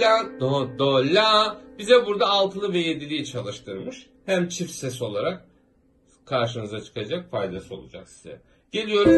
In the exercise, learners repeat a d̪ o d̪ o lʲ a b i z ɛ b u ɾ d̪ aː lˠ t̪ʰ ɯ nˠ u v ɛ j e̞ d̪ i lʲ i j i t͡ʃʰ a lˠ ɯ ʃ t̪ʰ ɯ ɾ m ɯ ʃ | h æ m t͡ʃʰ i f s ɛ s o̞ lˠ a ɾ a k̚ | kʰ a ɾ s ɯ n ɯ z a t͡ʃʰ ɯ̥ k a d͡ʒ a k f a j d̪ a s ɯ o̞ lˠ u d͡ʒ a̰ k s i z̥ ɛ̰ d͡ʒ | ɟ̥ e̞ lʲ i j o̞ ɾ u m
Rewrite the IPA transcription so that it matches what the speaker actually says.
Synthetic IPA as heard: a d̪ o d̪ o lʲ a b i z ɛ b u ɾ d̪ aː lˠ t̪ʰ ɯ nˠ ɯ v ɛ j e̞ d̪ i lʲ i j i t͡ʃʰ a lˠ ɯ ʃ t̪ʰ ɯ ɾ m ɯ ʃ | h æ m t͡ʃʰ i f s ɛ s o̞ lˠ a ɾ a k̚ | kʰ a ɾ ʃ ɯ n ɯ z a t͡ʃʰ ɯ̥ k a d͡ʒ a k f a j d̪ a s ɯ o̞ lˠ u d͡ʒ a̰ k s i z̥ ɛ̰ | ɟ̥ e̞ lʲ i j o̞ ɾ u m